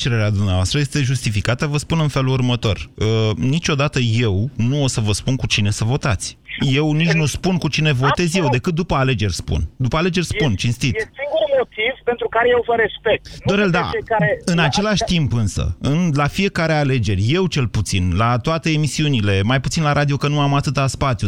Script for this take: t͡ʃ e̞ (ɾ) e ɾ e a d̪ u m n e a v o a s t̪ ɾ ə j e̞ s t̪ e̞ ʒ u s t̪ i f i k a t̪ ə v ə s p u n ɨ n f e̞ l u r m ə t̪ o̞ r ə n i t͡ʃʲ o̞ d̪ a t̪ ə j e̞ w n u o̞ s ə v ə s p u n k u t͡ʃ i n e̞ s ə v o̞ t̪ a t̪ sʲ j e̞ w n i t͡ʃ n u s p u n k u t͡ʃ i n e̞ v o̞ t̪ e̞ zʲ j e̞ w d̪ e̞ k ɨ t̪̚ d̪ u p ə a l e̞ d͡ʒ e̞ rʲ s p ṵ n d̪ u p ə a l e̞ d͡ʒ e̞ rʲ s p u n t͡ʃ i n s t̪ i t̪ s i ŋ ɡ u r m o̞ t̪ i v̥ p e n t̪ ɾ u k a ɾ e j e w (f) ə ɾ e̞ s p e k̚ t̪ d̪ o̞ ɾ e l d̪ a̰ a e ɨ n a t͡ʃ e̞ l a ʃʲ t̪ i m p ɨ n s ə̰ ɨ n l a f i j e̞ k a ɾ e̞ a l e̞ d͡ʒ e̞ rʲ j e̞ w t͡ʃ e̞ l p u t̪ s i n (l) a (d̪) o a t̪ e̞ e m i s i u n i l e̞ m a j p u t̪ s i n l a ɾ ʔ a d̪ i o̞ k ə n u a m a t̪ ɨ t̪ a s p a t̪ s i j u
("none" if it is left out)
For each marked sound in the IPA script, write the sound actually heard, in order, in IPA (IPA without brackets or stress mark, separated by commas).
ɾ, v, l, t̪